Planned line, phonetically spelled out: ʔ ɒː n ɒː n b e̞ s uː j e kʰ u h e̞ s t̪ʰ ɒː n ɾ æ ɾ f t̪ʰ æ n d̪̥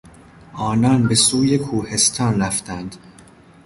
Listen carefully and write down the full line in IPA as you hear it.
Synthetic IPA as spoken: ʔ ɒː n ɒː n b e̞ s uː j e kʰ uː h e̞ s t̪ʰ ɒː n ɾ æ f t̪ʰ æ n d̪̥